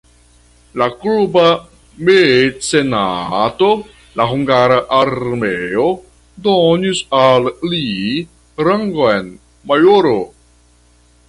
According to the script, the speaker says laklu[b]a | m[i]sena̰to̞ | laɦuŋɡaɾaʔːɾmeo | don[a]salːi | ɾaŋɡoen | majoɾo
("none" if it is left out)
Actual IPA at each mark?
b, e, i

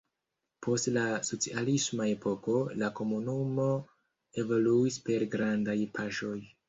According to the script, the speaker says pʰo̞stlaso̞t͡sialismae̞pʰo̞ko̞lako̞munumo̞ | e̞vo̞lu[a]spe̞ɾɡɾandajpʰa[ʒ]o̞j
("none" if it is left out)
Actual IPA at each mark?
i, ʃ

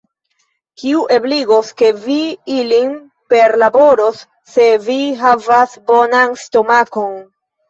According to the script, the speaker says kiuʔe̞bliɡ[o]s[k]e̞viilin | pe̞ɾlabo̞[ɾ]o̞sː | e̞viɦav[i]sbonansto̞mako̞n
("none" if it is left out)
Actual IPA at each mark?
o, k, ɾ, a

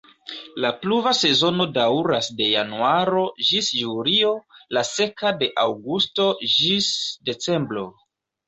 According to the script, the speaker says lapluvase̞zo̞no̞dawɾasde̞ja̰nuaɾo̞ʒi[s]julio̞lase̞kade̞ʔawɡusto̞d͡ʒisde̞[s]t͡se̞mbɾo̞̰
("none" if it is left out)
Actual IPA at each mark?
s, none

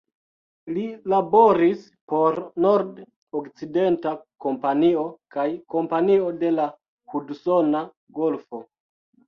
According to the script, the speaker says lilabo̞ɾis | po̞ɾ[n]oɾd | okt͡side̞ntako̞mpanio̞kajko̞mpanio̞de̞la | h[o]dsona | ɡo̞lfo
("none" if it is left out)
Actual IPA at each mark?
n, u

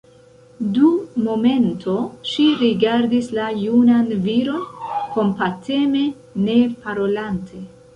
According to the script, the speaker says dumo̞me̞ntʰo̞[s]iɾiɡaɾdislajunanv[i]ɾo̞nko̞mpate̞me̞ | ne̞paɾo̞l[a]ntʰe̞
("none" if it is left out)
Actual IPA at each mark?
ʃ, i, a

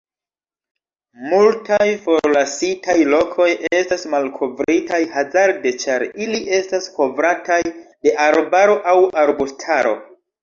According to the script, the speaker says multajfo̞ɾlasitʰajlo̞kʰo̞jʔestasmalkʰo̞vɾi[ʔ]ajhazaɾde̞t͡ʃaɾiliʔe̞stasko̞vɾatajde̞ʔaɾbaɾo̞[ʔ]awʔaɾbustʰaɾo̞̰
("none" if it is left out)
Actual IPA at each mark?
t, ʔ

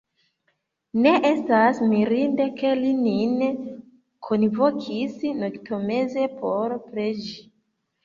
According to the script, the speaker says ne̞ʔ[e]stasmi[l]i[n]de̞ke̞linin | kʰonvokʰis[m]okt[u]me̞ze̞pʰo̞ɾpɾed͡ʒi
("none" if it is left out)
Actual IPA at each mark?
e, ɾ, n, n, o

